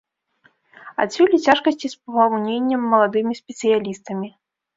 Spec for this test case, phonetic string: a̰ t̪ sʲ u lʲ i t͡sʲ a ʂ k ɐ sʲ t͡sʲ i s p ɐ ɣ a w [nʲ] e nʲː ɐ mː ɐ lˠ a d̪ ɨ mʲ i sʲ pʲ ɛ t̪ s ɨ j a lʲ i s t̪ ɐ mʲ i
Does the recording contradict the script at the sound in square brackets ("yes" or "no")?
no